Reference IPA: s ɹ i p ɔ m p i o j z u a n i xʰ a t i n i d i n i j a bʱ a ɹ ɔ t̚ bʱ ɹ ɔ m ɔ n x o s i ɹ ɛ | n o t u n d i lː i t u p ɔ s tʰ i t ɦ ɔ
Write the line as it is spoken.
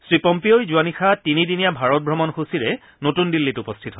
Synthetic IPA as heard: s ɹ i p ɔ m p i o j z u a n i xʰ a t i n i d i n i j a bʱ a ɹ ɔ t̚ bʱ ɹ ɔ m ɔ n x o s i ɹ ɛ | n o t u n d i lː i t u p ɔ s tʰ i t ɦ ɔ